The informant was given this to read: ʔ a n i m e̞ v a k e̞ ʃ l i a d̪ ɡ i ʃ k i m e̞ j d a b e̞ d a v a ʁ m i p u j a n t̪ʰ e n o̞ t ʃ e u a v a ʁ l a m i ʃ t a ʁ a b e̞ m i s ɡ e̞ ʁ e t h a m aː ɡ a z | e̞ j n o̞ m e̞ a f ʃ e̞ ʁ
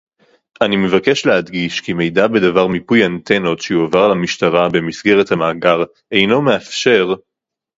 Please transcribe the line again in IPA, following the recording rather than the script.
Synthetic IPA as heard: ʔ a n i m e̞ v a k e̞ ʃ l e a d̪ ɡ i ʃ k i m e̞ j d a b e̞ d a v a ʁ m i p u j a n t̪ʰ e n o̞ t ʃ e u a v a ʁ l a m i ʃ t a ʁ a b e̞ m i s ɡ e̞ ʁ e t h a m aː ɡ a ʁ | e̞ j n o̞ m e̞ a f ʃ e̞ ʁ